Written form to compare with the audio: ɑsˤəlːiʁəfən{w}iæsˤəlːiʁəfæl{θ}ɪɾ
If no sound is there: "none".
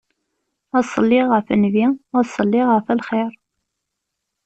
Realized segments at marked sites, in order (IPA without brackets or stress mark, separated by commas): v, χ